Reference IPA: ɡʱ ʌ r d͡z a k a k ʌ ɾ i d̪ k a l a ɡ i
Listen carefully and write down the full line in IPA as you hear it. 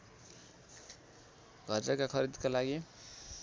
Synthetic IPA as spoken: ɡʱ ʌ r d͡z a k a kʰ ʌ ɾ i d̪ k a l a ɡ i